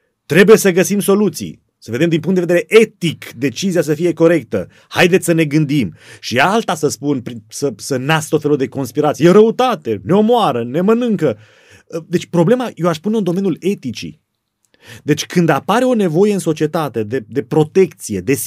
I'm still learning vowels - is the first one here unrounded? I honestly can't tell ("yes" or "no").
yes